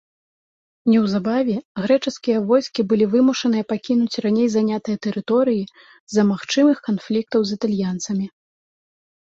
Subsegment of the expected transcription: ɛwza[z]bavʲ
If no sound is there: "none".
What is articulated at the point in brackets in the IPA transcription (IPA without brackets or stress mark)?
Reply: none